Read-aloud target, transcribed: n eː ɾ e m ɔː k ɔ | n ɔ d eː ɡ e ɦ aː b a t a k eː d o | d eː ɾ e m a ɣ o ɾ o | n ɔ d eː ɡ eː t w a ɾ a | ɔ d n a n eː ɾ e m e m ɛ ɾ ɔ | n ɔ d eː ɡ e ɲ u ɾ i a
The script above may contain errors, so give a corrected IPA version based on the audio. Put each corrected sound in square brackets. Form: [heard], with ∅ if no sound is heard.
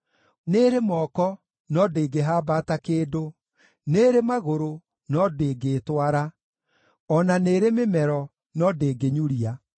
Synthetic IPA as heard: n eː ɾ e m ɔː k ɔ | n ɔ d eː ɡ e ɦ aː b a t a k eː d o | [n] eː ɾ e m a ɣ o ɾ o | n ɔ d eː ɡ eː t w a ɾ a | ɔ [∅] n a n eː ɾ e m e m ɛ ɾ ɔ | n ɔ d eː ɡ e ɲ u ɾ i a

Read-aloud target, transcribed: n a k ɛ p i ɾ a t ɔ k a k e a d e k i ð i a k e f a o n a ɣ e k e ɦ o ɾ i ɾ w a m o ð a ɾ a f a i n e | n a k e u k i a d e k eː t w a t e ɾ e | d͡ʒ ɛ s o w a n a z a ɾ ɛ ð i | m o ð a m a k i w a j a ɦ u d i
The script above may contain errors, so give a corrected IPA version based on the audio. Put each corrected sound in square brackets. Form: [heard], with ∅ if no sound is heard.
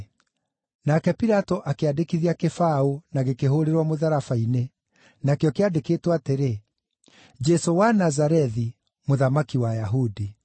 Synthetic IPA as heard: n a k ɛ p i ɾ a t ɔ [ʔ] a k e a d e k i ð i a k e f a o n a ɣ e k e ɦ o ɾ [e] ɾ w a m o ð a ɾ a f a i n e | n a k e [ɔ] k [e] a d e k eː t w a t e ɾ e | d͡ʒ ɛ s o w a n a z a ɾ ɛ ð i | m o ð a m a k i w a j a ɦ u d i

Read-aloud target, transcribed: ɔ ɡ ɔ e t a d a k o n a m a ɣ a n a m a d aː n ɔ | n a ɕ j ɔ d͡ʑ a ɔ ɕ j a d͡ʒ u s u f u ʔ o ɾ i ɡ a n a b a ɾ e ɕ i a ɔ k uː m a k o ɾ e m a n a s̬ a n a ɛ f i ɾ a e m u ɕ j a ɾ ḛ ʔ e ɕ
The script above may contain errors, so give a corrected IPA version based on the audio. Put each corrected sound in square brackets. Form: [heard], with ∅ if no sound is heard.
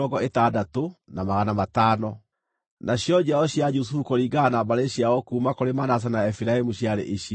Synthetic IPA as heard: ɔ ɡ ɔ e t a d a [t] o n a m a ɣ a n a m a [t] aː n ɔ | n a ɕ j ɔ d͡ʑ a ɔ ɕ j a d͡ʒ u s u f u [k] o ɾ i ɡ a n a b a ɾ e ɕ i a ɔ k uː m a k o ɾ e m a n a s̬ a n a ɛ f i ɾ a e m u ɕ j a ɾ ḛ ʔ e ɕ

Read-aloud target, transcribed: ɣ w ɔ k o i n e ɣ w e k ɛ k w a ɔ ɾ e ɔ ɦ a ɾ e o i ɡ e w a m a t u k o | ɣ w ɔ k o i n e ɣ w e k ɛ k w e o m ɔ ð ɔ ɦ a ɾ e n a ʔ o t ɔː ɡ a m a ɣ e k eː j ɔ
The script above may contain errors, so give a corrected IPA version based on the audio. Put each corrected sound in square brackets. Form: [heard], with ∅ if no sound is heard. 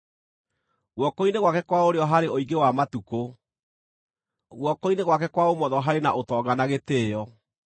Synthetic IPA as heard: ɣ w ɔ k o i n e ɣ w [a] k ɛ k w a [o] ɾ e ɔ ɦ a ɾ e o i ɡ e w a m a t u k o | ɣ w ɔ k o i n e ɣ w [a] k ɛ k w [a] o m ɔ ð ɔ ɦ a ɾ e n a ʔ o t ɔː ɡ a [n] a ɣ e [t] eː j ɔ

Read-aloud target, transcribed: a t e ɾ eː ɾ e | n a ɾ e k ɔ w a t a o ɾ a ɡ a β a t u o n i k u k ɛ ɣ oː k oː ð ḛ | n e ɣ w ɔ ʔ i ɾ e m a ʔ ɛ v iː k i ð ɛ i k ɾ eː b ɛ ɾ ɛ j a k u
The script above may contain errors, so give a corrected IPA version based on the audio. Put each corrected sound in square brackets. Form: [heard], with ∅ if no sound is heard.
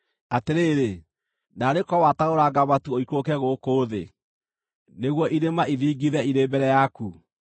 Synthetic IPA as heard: a t e ɾ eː ɾ e | n a ɾ e k ɔ w a t a o ɾ a ɡ a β a t u o [∅] i k [o] k ɛ ɣ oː k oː ð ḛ | n e ɣ w ɔ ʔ i ɾ e m a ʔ [i] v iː [ɡ] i ð ɛ i [∅] ɾ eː b ɛ ɾ ɛ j a k u

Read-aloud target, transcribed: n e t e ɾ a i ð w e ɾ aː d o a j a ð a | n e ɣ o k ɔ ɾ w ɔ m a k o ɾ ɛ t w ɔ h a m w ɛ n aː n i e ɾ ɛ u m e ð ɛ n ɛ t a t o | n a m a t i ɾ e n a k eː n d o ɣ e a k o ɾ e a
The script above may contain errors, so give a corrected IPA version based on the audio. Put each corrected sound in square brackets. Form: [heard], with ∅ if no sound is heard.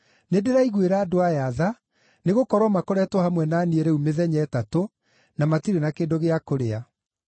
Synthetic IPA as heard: n e [d] e ɾ a i [ɣ] w e ɾ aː d o a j a ð a | n e ɣ o k ɔ ɾ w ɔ m a k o ɾ ɛ t w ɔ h a m w ɛ n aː n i e ɾ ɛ u m e ð ɛ [ɲ] ɛ t a t o | n a m a t i ɾ e n a k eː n d o ɣ e a k o ɾ e a

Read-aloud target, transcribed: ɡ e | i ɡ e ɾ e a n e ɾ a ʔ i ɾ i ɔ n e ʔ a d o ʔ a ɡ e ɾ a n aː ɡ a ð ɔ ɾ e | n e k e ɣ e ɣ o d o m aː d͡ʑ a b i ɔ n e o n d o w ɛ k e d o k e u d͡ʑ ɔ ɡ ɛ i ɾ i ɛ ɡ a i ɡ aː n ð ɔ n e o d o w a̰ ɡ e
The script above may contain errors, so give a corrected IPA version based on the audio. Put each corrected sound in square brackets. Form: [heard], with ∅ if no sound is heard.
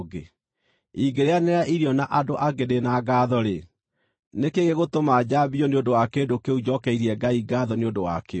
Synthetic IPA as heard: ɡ e | i ɡ e ɾ e a n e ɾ a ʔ i ɾ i ɔ n [a] ʔ a d o ʔ a ɡ e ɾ [e] n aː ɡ a ð ɔ ɾ e | n e k e ɣ e ɣ o [t] o m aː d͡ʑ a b i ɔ n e o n d o w [a] k e d o k e u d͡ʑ ɔ [k] ɛ i ɾ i ɛ ɡ a i ɡ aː [∅] ð ɔ n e o d o w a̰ [k] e

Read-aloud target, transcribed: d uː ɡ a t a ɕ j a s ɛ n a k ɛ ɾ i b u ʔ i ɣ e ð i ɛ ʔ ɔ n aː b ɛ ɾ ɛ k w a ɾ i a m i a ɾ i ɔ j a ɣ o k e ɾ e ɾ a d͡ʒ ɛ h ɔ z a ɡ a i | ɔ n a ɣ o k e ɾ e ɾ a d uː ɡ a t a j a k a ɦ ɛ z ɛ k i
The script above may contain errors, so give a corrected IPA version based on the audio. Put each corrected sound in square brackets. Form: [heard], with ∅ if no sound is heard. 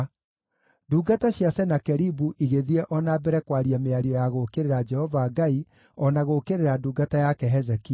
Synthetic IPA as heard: d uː ɡ a t a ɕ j a s ɛ n a k ɛ ɾ i b u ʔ i ɣ e ð i ɛ ʔ ɔ n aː b ɛ ɾ ɛ k w a ɾ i a m [e] a ɾ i ɔ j a ɣ o k e ɾ e ɾ a d͡ʒ ɛ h ɔ [v] a ɡ a i | ɔ n a ɣ o k e ɾ e ɾ a d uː ɡ a t a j a k [ɛ] ɦ ɛ z ɛ k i

